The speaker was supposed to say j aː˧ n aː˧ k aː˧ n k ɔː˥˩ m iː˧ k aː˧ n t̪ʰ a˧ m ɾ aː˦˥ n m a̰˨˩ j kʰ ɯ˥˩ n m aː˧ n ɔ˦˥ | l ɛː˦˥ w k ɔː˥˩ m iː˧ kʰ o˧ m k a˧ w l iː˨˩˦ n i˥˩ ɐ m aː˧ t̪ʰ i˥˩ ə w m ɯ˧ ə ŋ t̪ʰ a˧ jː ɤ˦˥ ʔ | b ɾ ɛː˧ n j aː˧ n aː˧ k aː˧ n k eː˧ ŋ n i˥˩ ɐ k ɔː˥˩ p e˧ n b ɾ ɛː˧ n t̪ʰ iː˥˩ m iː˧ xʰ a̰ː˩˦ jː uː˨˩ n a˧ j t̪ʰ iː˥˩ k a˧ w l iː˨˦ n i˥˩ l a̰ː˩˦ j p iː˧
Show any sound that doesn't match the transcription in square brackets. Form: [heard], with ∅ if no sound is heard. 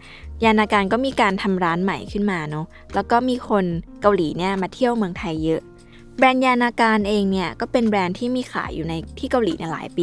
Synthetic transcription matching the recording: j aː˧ n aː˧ k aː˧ n k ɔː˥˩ m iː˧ k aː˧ n t̪ʰ a˧ m ɾ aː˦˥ n m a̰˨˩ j kʰ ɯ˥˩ n m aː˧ n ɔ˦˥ | l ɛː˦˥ w k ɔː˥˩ m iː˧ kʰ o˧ [n] k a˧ w l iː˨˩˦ n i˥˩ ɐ m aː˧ t̪ʰ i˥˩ ə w m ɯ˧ ə ŋ t̪ʰ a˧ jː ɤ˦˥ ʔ | b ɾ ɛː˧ n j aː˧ n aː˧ k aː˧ n [ʔ] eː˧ ŋ n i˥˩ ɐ k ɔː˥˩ p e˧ n b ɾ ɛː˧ n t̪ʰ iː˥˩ m iː˧ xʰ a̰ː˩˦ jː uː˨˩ n a˧ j t̪ʰ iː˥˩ k a˧ w l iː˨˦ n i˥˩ l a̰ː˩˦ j p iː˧